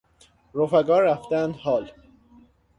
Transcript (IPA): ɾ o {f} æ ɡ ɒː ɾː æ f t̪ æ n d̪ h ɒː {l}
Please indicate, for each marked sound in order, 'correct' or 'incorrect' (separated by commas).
correct, correct